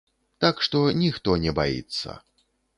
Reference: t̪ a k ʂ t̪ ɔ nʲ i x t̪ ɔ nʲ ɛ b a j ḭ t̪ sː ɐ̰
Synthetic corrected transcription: t̪ a k ʂ t̪ ɔ nʲ i x t̪ ɔ nʲ ɛ b a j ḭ t̪ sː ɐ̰